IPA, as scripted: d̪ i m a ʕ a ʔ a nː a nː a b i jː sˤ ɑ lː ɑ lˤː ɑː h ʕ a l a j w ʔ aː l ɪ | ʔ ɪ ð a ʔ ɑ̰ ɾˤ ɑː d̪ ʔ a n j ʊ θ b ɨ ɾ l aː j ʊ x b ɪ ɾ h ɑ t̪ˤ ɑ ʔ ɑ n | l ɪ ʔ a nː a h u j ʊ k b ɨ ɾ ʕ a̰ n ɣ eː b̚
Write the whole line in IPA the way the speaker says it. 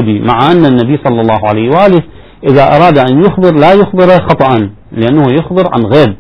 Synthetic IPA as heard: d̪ i m a ʕ a ʔ a nː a nː a b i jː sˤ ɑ lː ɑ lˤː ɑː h ʕ a l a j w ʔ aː l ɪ | ʔ ɪ ð a ʔ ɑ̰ ɾˤ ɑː d̪ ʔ a n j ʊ x b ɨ ɾ l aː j ʊ x b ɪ ɾ x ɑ t̪ˤ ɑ ʔ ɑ n | l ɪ ʔ a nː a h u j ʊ x b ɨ ɾ ʕ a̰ n ɣ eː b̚